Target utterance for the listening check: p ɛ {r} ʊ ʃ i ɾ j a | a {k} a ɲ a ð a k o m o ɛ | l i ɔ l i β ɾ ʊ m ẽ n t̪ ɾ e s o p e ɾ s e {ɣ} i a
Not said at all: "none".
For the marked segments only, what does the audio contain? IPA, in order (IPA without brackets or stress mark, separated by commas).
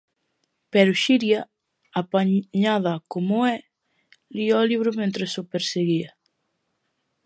ɾ, p, ɣ